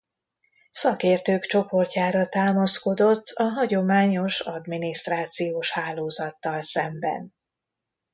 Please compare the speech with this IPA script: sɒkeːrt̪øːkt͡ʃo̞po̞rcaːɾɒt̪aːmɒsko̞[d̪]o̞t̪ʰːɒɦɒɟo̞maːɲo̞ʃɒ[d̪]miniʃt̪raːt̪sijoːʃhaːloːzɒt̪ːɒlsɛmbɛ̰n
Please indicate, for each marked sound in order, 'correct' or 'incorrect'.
correct, correct

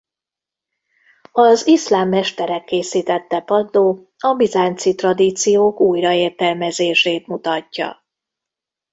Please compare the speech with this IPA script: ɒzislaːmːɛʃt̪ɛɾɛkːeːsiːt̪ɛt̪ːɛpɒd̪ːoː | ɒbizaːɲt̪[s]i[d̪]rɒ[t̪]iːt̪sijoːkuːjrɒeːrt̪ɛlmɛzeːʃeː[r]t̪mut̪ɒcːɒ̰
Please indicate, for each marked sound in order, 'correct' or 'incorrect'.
correct, incorrect: t̪, incorrect: d̪, incorrect: none

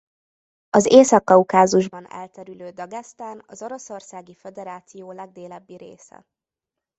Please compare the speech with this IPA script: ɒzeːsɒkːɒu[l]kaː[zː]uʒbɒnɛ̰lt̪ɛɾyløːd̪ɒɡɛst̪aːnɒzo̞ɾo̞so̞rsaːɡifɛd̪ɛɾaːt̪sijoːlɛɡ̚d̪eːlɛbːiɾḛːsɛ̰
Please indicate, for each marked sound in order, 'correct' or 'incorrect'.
incorrect: none, incorrect: z

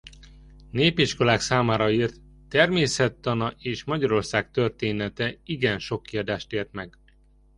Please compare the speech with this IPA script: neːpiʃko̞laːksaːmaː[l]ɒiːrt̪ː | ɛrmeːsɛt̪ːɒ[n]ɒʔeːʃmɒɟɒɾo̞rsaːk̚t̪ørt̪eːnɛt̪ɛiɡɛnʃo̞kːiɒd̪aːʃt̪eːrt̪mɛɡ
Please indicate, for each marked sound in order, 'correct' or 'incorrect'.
incorrect: ɾ, correct

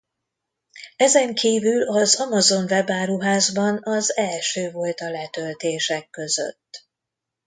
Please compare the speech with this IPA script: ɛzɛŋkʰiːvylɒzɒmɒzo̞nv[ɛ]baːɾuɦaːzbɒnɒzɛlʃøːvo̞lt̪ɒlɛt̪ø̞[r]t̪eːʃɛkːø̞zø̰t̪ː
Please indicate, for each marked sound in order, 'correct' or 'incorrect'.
correct, incorrect: l

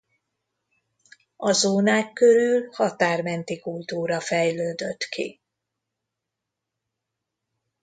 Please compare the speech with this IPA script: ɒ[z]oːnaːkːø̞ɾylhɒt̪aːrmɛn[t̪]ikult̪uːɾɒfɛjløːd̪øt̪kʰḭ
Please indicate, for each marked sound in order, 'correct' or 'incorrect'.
correct, correct

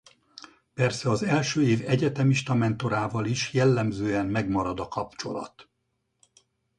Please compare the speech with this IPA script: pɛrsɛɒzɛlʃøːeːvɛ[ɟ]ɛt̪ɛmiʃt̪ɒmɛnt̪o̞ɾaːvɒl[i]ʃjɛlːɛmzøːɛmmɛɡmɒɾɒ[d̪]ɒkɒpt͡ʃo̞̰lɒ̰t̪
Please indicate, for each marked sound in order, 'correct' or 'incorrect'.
correct, correct, correct

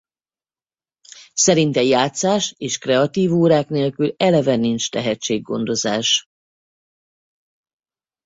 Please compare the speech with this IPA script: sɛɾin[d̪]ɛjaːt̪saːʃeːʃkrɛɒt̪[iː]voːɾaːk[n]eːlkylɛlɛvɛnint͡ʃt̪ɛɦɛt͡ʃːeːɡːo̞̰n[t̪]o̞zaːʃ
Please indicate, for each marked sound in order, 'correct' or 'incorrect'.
incorrect: t̪, correct, correct, incorrect: d̪

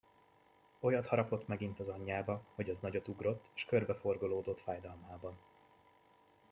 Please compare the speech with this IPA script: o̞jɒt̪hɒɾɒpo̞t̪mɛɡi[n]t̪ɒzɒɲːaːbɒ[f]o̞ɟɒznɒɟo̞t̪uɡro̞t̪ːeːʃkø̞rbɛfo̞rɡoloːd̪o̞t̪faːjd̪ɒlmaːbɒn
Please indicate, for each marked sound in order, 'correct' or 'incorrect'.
correct, incorrect: h

